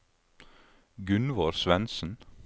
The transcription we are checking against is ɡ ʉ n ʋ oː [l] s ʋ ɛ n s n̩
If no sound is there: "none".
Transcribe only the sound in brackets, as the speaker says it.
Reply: ɾ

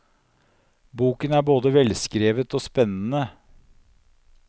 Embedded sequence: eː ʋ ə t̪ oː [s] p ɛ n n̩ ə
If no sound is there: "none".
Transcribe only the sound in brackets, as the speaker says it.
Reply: s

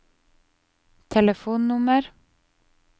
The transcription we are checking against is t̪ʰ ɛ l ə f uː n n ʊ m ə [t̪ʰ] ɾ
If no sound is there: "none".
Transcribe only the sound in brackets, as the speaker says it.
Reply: none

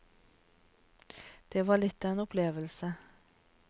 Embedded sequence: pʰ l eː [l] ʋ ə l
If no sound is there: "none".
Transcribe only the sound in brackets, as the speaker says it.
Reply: none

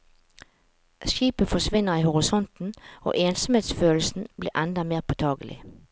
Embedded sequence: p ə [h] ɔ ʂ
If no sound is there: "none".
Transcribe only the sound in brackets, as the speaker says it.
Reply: f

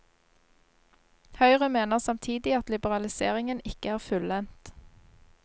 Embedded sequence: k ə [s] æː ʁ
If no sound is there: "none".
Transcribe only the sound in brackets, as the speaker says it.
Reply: none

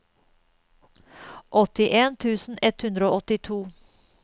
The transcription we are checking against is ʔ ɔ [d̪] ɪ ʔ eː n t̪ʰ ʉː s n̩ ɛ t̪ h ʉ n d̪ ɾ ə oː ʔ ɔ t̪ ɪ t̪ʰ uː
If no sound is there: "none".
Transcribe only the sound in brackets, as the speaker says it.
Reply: t̪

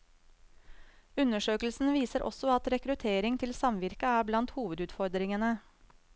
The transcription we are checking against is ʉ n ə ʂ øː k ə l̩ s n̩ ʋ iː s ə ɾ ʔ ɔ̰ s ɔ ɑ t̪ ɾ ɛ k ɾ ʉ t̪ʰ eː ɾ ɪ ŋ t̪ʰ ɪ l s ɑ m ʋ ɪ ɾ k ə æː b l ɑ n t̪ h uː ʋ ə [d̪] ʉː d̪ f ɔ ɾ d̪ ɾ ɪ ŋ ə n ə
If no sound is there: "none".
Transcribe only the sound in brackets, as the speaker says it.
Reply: d̪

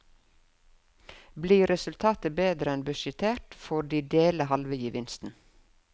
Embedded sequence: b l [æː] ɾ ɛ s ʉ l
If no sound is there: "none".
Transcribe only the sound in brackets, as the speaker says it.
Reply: iː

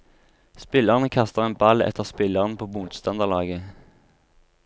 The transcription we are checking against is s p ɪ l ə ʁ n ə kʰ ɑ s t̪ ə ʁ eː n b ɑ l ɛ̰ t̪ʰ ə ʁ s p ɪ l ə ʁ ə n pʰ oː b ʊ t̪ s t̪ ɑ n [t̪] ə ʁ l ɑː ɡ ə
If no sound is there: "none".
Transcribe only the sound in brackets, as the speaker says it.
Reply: d̪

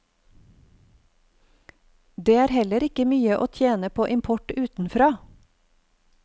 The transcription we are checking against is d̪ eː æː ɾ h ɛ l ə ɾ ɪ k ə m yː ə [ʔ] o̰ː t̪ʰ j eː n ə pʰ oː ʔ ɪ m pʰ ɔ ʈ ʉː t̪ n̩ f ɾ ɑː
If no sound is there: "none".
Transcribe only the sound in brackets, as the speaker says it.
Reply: ʔ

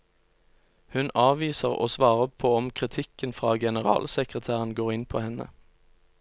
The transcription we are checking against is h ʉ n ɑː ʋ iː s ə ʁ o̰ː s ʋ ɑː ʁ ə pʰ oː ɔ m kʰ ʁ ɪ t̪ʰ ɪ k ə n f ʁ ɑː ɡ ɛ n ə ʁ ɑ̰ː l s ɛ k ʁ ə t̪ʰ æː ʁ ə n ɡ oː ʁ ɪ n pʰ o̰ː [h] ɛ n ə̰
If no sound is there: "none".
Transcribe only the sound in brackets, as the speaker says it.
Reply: h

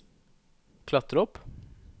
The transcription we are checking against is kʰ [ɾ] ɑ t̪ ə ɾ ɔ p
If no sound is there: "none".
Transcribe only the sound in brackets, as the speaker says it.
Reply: l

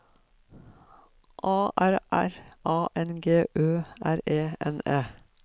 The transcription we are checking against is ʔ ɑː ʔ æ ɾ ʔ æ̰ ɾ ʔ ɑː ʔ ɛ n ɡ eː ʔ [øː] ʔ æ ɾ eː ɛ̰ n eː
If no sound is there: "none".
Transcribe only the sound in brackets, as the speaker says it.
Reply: øː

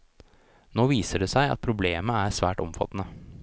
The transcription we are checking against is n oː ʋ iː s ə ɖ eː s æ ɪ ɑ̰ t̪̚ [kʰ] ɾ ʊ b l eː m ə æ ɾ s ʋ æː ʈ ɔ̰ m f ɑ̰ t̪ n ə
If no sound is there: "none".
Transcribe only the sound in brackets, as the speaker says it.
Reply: pʰ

